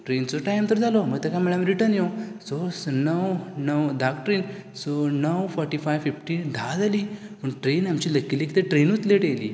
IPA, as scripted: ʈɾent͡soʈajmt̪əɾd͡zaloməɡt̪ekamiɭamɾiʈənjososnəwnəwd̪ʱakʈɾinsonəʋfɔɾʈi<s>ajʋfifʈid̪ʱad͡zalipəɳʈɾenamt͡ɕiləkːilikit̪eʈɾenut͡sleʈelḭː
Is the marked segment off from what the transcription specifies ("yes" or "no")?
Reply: yes